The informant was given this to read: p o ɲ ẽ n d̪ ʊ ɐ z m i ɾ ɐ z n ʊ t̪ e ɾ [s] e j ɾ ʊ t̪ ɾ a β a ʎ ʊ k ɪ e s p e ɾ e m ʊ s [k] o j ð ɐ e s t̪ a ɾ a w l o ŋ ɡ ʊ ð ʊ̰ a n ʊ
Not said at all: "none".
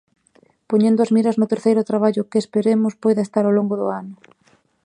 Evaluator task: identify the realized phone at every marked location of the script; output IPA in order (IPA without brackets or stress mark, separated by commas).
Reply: θ, p